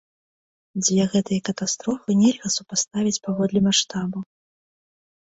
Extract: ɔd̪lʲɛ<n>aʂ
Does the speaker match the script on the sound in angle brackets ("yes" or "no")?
no